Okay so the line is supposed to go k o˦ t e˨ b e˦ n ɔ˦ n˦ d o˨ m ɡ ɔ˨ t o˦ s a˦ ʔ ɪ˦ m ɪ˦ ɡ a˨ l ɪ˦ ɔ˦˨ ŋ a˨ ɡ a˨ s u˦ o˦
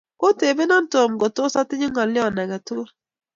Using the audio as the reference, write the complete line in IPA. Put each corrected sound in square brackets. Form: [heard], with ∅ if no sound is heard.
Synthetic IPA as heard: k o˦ t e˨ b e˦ n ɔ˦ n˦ [t] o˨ m ɡ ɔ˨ t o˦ s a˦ [t] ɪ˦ [ɲ] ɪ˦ [ŋ] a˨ l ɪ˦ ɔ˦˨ [n] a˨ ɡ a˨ [t] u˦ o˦